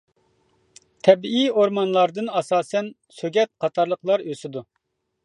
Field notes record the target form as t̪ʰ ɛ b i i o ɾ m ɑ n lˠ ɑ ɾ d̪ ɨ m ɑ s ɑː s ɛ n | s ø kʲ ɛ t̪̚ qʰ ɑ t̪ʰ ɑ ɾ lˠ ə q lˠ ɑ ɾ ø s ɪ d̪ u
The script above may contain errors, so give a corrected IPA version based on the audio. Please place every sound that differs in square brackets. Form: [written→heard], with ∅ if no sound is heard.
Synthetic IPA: t̪ʰ ɛ b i i o ɾ m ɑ n lˠ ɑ ɾ d̪ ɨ [m→n] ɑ s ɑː s ɛ n | s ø [kʲ→ɡʲ] ɛ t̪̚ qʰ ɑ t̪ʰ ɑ ɾ lˠ ə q lˠ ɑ ɾ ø s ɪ d̪ u